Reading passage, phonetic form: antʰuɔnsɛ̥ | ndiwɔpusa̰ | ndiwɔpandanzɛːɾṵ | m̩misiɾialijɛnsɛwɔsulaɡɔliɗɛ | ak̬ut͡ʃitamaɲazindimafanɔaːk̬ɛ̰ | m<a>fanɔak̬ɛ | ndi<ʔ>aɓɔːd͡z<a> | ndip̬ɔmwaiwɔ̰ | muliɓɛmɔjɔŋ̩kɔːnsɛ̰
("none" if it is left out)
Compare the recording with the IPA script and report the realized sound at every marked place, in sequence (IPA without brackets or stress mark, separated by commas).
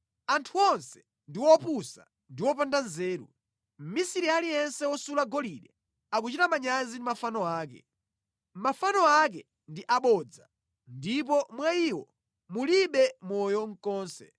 a, ʔ, a